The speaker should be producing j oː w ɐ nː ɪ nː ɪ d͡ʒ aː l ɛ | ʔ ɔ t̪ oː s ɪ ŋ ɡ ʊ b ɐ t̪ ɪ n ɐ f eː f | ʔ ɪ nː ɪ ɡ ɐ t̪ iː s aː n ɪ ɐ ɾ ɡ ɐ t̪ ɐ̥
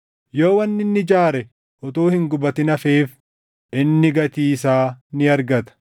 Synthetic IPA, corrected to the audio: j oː w ɐ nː ɪ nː ɪ d͡ʒ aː ɾ ɛ | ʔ ɔ t̪ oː h ɪ ŋ ɡ ʊ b ɐ t̪ ɪ n ɐ f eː f | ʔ ɪ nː ɪ ɡ ɐ t̪ iː s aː n ɪ ɐ ɾ ɡ ɐ t̪ ɐ̥